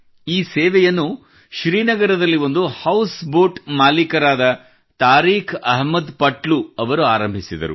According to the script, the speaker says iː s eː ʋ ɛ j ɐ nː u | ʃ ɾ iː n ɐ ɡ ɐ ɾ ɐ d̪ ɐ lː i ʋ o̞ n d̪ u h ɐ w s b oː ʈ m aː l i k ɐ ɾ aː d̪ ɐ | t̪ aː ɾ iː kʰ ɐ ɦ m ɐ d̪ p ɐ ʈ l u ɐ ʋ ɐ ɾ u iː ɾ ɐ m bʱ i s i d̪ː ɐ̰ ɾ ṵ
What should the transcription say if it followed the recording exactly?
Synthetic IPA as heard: iː s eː ʋ ɛ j ɐ nː u | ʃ ɾ iː n ɐ ɡ ɐ ɾ ɐ d̪ ɐ lː i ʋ o̞ n d̪ u h ɐ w s b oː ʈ m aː l i k ɐ ɾ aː d̪ ɐ | t̪ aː ɾ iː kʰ ɐ ɦ m ɐ d̪ p ɐ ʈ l u ɐ ʋ ɐ ɾ u aː ɾ ɐ m bʱ i s i d̪ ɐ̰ ɾ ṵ